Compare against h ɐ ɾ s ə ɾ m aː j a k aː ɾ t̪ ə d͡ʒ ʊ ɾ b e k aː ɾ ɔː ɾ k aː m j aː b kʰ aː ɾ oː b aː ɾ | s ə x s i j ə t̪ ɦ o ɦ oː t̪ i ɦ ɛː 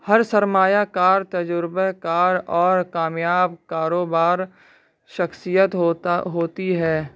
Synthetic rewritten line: h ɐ ɾ s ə ɾ m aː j a k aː ɾ t̪ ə d͡ʒ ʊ ɾ b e k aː ɾ ɔː ɾ k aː m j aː b k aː ɾ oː b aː ɾ | ʃ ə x s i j ə t̪ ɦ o ɦ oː t̪ i ɦ ɛː